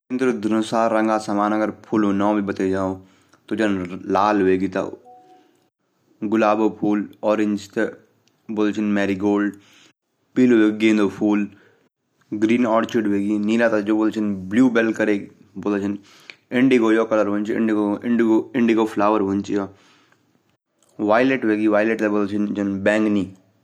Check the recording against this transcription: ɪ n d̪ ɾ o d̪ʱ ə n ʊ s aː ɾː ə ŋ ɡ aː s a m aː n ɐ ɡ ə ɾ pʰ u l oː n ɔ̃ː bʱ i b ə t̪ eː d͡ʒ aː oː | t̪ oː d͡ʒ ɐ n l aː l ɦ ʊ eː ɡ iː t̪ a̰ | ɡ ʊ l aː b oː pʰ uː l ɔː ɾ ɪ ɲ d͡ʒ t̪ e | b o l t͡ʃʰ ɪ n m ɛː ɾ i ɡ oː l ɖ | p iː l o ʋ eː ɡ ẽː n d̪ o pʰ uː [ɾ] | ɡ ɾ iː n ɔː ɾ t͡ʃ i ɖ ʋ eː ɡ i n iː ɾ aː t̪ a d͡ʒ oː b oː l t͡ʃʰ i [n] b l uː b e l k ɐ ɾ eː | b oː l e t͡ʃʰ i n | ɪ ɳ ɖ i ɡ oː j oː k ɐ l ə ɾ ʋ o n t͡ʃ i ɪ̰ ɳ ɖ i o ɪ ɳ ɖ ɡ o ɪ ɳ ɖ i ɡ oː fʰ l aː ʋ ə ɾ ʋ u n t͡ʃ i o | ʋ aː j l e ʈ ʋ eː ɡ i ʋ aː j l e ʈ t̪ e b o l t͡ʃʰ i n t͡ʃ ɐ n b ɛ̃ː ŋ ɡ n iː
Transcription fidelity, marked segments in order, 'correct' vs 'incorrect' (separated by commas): incorrect, correct